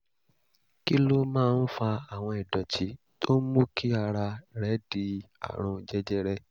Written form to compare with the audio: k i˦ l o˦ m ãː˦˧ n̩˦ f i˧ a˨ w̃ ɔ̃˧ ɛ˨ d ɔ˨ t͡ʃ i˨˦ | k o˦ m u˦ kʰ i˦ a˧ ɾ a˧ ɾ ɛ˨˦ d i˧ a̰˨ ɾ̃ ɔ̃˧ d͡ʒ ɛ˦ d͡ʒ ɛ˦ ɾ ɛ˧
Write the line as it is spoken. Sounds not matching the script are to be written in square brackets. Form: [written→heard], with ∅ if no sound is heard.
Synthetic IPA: k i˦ l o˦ m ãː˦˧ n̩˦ f [i˧→a˧] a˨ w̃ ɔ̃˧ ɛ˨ d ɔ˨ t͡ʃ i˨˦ | [k→t] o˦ m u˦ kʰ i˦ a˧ ɾ a˧ ɾ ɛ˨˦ d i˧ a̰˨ ɾ̃ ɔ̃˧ d͡ʒ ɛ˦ d͡ʒ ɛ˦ ɾ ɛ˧